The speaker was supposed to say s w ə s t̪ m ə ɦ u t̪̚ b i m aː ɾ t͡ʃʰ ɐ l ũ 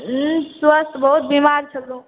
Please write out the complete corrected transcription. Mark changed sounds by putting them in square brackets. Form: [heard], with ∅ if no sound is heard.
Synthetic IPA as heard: s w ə s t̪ [b] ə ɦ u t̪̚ b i m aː ɾ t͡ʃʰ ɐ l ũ